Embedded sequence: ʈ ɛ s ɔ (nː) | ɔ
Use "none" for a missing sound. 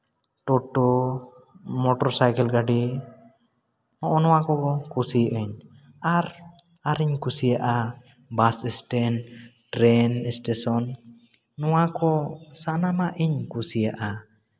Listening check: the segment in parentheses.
nː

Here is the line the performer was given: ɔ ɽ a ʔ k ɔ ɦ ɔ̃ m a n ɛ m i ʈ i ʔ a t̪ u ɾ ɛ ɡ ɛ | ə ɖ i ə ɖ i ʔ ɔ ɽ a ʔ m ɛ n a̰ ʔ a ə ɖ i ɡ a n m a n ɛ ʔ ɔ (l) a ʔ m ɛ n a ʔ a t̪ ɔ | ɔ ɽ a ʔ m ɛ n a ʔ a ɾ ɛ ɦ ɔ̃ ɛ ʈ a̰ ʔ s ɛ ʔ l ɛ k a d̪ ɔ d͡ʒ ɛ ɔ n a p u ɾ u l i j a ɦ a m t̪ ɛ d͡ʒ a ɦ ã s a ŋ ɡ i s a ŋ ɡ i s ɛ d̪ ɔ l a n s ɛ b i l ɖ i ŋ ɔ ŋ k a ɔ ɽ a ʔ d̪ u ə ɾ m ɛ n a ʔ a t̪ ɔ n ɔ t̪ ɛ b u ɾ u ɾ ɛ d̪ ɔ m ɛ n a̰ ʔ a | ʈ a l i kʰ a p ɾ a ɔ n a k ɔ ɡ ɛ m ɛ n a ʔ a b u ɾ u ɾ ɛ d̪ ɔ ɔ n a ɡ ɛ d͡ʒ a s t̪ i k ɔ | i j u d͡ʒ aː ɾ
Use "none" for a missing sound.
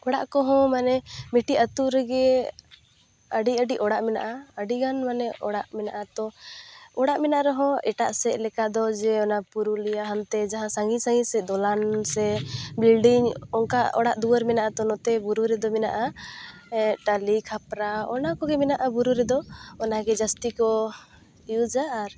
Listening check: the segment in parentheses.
ɽ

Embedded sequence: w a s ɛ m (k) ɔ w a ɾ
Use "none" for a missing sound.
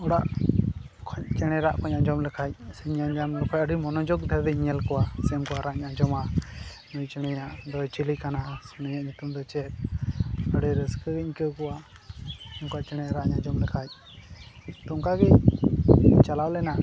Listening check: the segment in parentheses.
k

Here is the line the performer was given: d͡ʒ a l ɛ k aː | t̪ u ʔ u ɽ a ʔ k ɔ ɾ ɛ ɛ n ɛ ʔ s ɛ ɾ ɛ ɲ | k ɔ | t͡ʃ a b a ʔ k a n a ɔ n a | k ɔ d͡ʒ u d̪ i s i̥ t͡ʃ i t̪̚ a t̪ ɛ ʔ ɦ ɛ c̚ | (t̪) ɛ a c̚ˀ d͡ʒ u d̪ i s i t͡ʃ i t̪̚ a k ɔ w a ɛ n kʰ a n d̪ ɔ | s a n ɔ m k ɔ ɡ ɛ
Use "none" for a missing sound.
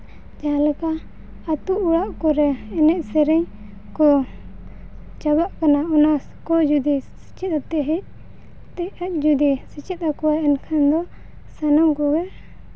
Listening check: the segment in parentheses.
t̪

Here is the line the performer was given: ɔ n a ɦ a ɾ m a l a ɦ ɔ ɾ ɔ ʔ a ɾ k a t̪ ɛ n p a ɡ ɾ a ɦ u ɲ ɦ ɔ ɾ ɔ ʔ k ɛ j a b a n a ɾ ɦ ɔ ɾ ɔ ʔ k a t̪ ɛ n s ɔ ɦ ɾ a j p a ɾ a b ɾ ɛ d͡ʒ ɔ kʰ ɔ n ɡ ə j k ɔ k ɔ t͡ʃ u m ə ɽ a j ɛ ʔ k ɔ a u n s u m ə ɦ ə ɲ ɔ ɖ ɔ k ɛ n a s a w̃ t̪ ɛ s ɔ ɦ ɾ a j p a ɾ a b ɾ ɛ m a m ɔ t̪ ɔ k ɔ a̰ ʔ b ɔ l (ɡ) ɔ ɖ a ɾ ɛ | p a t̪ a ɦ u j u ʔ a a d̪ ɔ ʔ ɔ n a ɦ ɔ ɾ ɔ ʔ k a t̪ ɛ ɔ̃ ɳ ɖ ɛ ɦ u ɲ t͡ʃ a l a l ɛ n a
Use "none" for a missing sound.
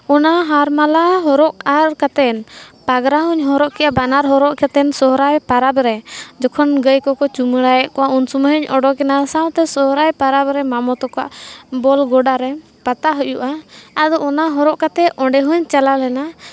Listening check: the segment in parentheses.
ɡ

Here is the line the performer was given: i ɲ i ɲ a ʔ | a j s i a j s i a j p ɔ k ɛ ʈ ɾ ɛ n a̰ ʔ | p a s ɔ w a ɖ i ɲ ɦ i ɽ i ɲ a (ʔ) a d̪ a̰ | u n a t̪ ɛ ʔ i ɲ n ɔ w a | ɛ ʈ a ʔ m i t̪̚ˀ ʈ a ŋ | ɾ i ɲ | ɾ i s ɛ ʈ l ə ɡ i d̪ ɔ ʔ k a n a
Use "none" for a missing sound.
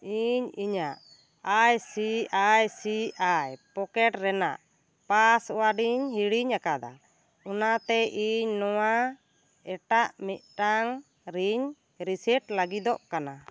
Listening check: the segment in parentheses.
k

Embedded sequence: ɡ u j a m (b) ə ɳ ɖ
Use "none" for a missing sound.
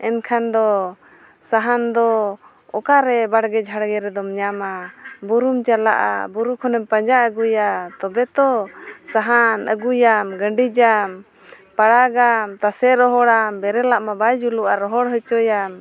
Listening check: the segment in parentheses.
ɡ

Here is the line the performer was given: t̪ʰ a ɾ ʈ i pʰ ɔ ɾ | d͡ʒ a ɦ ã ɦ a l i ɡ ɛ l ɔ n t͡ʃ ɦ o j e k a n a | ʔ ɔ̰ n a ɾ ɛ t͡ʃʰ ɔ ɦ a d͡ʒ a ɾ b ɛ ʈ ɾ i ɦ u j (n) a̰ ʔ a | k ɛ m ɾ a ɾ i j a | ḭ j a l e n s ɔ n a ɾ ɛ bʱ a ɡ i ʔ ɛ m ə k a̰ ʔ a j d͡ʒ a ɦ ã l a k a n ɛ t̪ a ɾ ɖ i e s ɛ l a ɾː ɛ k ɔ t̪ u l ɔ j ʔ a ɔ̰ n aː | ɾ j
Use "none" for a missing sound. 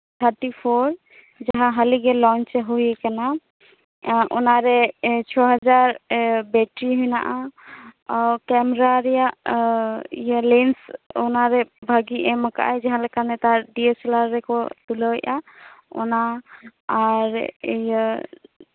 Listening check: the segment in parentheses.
n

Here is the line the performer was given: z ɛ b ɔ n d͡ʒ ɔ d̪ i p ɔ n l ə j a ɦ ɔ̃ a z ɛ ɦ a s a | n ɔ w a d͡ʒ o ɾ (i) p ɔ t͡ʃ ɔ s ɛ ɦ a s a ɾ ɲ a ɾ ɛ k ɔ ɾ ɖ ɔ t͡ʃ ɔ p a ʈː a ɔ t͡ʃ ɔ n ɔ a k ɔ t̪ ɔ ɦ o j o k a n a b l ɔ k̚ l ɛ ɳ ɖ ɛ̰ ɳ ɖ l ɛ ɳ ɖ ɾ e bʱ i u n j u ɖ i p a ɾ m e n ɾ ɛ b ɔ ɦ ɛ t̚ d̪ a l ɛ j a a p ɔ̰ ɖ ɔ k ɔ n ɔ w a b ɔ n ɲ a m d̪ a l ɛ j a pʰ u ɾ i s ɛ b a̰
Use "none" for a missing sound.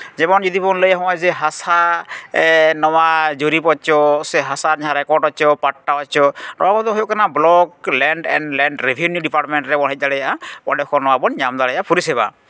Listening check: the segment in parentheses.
i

